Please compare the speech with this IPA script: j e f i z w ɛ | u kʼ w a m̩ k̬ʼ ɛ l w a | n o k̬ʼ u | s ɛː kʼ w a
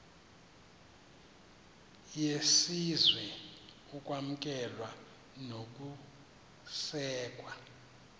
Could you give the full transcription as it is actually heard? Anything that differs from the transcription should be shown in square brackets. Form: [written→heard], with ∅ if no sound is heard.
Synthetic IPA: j e [f→s] i z w ɛ | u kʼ w a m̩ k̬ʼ ɛ l w a | n o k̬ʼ u | s ɛː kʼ w a